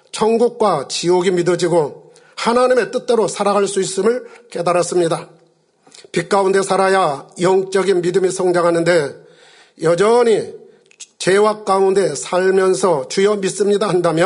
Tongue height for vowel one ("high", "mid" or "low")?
mid